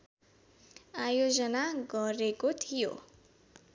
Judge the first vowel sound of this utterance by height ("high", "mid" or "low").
low